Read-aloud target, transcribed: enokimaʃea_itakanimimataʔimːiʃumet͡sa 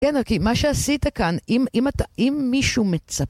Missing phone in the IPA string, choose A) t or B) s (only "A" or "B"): B